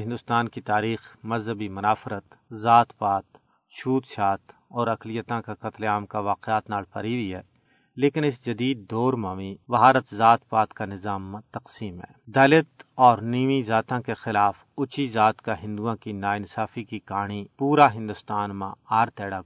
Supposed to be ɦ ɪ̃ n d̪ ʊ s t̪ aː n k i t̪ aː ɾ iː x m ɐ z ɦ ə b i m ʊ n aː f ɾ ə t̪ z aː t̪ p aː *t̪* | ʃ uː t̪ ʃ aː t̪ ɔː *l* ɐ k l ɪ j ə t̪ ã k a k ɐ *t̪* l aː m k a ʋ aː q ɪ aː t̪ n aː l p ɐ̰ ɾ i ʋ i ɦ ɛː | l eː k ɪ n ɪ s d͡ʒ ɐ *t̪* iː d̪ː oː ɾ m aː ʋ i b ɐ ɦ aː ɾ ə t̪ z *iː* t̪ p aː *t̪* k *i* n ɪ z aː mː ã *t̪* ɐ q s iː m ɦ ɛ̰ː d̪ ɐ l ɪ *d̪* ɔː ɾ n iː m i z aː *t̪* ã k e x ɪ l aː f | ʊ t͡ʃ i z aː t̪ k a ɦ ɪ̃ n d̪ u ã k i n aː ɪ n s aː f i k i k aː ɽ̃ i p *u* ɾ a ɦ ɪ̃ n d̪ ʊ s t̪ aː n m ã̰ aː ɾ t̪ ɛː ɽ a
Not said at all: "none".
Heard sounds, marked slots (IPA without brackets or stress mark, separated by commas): t̪, ɾ, t̪, d̪, aː, t̪, a, t̪, t̪, t̪, uː